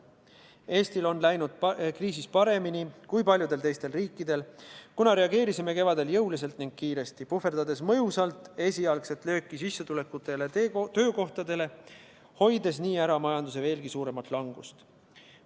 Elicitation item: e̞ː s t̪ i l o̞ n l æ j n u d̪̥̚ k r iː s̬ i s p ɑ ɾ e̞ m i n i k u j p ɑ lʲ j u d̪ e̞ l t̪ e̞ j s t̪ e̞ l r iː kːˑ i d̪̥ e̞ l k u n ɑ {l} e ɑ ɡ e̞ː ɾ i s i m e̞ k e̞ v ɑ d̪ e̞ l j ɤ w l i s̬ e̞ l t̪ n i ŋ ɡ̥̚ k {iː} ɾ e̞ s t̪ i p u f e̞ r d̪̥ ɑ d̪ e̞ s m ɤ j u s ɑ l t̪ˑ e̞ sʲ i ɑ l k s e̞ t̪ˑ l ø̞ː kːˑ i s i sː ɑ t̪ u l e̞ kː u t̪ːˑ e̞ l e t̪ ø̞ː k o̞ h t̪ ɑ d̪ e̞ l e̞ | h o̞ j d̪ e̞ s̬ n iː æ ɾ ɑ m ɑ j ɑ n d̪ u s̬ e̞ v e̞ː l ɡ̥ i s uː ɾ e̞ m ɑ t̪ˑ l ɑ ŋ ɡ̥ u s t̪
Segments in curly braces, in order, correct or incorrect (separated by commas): incorrect, correct